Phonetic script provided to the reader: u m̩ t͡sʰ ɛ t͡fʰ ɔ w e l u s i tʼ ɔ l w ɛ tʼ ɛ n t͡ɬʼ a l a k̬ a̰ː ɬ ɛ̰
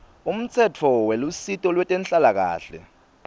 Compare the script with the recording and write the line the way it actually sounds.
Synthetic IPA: u m̩ t͡sʰ ɛ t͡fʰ ɔ w e l u s i tʼ ɔ l w ɛ tʼ ɛ n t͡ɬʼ a l a k̬ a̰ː ɬ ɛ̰